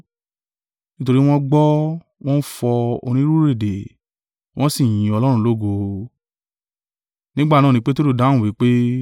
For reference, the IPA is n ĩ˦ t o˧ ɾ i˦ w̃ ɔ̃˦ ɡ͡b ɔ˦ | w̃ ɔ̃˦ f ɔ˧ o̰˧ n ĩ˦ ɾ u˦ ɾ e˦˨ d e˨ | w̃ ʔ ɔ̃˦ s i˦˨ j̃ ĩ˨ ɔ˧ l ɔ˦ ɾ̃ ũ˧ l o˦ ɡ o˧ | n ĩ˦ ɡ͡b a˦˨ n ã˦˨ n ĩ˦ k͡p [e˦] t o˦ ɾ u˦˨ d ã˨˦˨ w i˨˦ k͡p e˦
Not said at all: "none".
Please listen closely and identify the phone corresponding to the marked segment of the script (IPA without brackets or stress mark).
e˦